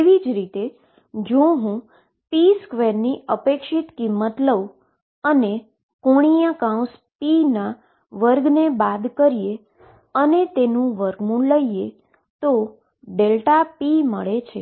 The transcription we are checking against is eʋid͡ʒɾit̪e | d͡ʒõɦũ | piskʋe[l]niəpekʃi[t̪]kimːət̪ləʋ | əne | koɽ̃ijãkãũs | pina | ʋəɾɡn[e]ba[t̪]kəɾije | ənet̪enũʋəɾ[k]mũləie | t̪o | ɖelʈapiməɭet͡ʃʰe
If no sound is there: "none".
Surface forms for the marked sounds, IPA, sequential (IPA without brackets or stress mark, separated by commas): ɾ, t̪, e, d̪, ɡ